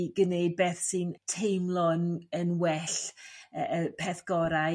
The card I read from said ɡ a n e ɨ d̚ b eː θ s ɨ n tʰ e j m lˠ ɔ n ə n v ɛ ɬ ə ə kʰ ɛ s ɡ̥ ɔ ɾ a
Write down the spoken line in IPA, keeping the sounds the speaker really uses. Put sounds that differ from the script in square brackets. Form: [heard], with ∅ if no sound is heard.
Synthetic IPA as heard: ɡ [ə] n e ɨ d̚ b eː θ s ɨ n tʰ e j m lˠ ɔ n ə n [w] ɛ ɬ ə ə [pʰ] ɛ [θ] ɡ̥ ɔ ɾ a